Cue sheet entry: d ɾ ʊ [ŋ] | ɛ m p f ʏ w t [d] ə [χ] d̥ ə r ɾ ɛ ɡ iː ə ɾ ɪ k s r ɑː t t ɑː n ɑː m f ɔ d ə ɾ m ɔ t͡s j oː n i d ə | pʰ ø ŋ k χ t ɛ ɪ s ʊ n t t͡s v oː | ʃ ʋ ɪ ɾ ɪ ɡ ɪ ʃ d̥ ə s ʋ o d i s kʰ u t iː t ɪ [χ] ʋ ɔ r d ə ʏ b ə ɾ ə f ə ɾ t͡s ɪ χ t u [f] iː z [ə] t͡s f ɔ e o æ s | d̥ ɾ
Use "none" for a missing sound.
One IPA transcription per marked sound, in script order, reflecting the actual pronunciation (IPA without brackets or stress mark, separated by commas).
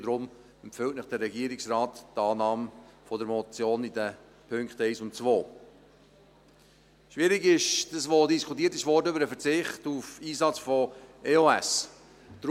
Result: m, n, χ, ʃ, f, ɑ